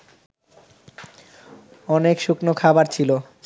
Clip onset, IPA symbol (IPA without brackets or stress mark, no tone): ɔ